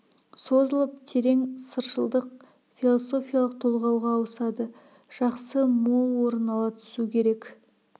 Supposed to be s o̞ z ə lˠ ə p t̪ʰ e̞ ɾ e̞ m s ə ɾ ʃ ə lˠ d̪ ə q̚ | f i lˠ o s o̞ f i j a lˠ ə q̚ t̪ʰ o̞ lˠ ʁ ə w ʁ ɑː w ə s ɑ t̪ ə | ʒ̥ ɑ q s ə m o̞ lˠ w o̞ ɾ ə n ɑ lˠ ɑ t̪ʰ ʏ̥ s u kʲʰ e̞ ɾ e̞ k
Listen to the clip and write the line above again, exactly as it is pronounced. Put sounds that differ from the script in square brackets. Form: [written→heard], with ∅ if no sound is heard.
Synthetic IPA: s o̞ z ə lˠ ə p t̪ʰ e̞ ɾ e̞ [m→ŋ] s ə ɾ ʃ ə lˠ d̪ ə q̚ | f i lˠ o s o̞ f i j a lˠ ə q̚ t̪ʰ o̞ lˠ ʁ [ə→ɑ] w ʁ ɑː w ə s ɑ [t̪→d̪] ə | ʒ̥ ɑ q s ə m o̞ lˠ w o̞ ɾ ə n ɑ lˠ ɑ t̪ʰ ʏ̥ s u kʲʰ e̞ ɾ e̞ k